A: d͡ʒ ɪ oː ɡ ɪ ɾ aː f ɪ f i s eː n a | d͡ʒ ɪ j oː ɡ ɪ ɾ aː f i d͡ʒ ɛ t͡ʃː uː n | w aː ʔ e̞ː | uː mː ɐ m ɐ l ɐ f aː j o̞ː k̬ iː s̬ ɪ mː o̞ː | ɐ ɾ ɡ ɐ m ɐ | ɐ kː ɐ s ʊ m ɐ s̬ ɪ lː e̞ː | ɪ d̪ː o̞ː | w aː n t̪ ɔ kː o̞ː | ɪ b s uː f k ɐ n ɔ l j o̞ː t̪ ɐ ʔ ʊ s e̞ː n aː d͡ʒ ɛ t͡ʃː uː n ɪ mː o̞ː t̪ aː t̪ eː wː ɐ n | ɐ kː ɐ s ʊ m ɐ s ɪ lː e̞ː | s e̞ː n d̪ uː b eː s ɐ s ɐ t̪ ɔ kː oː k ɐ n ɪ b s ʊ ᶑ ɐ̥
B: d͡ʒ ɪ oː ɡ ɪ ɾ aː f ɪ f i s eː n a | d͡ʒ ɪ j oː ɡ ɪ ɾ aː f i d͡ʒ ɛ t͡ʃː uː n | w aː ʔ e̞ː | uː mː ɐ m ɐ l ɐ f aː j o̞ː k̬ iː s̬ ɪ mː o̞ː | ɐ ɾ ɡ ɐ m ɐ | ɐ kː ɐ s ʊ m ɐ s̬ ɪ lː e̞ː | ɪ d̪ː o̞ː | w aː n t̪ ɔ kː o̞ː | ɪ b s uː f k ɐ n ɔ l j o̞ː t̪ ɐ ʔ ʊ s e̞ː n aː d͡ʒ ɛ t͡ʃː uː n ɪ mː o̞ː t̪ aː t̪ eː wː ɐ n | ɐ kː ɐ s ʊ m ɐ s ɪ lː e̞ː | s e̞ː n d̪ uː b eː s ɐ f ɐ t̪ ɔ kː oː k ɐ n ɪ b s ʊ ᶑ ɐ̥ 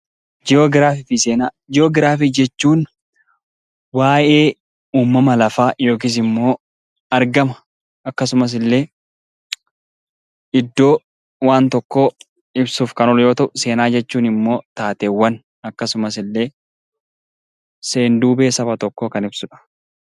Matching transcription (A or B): B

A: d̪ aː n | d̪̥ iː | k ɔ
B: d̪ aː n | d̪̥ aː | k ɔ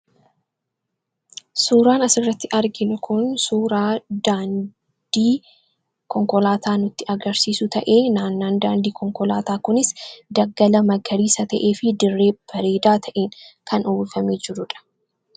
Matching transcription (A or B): A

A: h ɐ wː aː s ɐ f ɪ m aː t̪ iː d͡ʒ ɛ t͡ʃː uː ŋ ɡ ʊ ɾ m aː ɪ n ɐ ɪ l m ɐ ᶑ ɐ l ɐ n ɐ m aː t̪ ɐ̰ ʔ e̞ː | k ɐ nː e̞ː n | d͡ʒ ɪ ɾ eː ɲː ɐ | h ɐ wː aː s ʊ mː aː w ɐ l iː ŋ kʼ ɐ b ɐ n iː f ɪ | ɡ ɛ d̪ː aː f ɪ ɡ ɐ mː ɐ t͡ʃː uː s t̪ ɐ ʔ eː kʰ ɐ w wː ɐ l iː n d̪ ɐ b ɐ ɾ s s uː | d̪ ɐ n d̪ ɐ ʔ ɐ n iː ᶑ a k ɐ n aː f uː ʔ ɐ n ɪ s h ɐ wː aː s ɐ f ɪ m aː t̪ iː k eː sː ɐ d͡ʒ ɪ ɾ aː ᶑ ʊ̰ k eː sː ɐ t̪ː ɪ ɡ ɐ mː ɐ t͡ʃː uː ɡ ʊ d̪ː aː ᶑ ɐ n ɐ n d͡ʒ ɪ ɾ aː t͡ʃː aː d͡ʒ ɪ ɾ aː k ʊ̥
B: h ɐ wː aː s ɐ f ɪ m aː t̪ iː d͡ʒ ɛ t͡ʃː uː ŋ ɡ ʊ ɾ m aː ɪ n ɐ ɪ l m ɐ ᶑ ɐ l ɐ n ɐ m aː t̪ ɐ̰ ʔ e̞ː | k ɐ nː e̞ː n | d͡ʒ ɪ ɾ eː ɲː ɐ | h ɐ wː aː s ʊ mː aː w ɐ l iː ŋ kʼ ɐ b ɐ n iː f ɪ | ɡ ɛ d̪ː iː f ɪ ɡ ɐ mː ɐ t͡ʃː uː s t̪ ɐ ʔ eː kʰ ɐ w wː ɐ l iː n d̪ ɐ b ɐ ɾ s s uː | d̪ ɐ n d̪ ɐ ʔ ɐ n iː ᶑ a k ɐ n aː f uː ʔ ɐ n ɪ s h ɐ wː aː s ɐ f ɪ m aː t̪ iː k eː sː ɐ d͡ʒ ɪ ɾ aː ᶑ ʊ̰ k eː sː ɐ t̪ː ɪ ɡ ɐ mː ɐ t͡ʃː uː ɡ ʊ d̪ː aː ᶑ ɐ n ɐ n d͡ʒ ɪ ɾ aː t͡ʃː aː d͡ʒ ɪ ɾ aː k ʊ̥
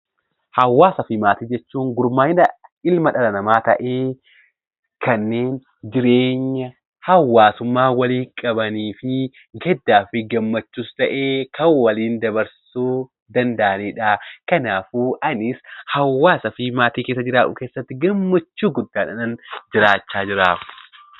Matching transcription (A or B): A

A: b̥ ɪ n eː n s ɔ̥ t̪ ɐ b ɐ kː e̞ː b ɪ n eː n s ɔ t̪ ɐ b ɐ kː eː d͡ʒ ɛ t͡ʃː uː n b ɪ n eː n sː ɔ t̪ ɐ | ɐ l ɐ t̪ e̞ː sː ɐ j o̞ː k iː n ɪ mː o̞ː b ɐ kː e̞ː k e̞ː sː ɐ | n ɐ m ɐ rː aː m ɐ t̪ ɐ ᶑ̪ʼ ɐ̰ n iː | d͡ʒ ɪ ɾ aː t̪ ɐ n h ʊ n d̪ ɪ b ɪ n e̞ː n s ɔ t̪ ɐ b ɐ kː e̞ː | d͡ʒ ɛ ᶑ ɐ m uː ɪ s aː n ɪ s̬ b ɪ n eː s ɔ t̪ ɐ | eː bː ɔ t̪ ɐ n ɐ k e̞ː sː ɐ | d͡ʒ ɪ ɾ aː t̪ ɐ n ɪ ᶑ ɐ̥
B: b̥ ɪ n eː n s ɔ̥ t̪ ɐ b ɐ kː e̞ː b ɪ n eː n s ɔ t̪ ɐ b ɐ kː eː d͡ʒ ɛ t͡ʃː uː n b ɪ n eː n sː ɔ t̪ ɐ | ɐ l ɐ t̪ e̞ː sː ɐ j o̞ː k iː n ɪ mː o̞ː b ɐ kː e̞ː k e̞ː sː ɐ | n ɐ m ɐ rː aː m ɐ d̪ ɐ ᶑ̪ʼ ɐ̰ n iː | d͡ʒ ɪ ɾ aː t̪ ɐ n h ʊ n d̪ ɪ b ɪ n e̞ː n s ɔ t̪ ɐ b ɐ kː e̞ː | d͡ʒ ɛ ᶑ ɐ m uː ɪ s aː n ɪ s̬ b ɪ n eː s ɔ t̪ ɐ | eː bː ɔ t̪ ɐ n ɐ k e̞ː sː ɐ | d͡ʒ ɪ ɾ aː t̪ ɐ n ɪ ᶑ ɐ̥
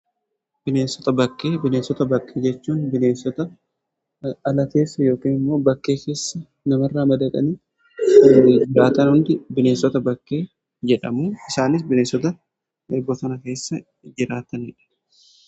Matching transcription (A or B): B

